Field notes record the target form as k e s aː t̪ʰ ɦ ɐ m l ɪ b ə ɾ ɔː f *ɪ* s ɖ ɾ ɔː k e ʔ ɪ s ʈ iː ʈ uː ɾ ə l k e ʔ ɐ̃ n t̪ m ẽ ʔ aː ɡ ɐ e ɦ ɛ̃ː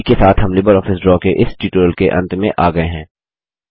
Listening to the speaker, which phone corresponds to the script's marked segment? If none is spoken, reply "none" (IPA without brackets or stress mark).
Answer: ɪ